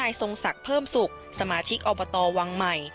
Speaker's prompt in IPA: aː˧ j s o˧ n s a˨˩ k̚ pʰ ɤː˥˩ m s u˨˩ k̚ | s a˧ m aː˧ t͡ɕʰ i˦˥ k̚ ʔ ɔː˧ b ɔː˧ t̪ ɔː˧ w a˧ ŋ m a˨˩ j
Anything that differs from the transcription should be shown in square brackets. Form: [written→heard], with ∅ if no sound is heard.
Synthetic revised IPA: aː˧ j s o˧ [n→ŋ] s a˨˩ k̚ pʰ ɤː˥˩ m s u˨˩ k̚ | s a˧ m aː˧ t͡ɕʰ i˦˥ k̚ ʔ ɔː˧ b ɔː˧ t̪ ɔː˧ w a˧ ŋ m a˨˩ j